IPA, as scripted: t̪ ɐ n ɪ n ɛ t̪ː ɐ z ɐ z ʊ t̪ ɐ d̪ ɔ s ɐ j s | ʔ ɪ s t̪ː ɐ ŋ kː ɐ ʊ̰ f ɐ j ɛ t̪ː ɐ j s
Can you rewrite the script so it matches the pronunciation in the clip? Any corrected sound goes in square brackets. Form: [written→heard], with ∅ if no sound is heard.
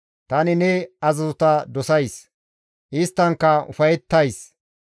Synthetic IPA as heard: t̪ ɐ n ɪ n ɛ [t̪ː→∅] ɐ z ɐ z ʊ t̪ ɐ d̪ ɔ s ɐ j s | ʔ ɪ s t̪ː ɐ ŋ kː ɐ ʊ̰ f ɐ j ɛ t̪ː ɐ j s